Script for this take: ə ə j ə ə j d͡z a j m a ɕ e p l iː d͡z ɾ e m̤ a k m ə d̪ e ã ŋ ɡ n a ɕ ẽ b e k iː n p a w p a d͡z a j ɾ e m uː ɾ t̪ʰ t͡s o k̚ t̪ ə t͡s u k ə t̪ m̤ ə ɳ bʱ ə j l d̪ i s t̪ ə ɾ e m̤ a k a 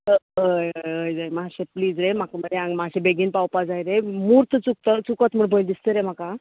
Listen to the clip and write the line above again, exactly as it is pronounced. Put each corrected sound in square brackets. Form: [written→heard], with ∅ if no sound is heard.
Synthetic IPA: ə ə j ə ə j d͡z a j m a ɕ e p l iː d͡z ɾ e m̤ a k m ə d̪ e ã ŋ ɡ [n→m] a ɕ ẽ b e [k→ɡ] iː n p a w p a d͡z a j ɾ e m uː ɾ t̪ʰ t͡s [o→u] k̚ t̪ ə t͡s u k ə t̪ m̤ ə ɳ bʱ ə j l d̪ i s t̪ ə ɾ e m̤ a k a